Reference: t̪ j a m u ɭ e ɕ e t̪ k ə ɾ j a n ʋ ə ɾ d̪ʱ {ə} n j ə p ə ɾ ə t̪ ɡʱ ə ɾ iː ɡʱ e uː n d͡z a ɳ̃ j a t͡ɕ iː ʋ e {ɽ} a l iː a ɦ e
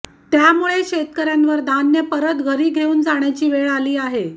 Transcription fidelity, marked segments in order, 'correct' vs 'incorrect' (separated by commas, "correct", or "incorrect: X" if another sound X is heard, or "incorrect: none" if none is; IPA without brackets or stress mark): incorrect: a, incorrect: ɭ